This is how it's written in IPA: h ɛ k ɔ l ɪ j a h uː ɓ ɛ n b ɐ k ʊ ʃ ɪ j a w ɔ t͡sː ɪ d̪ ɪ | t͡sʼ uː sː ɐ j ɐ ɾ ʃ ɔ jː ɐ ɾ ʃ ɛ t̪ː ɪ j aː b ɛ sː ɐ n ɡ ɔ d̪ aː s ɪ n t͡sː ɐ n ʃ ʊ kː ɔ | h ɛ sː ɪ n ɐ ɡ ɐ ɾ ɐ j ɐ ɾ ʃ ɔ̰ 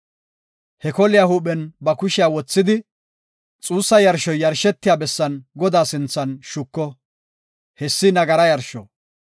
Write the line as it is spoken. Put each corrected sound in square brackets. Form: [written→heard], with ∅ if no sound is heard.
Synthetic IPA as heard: h ɛ k ɔ l ɪ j a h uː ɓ ɛ n b ɐ k ʊ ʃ ɪ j a w ɔ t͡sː ɪ d̪ ɪ | t͡sʼ uː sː ɐ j ɐ ɾ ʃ ɔ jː ɐ ɾ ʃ ɛ t̪ː ɪ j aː b ɛ sː ɐ n ɡ ɔ d̪ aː s ɪ n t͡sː ɐ n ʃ ʊ kː ɔ | h ɛ sː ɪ n ɐ ɡ ɐ ɾ ɐ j ɐ ɾ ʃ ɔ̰